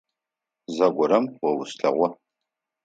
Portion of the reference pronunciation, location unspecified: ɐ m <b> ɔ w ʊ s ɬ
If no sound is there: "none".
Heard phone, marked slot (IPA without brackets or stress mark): w